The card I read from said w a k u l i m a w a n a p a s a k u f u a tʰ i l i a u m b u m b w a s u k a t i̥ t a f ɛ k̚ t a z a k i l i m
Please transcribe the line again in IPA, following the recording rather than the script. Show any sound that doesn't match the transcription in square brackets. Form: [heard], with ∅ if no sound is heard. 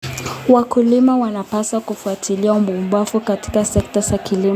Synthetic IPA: w a k u l i m a w a n a p a s a k u f u a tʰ i l i a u m b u m b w a [f] u k a t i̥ [k] a [s] ɛ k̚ t a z a k i l i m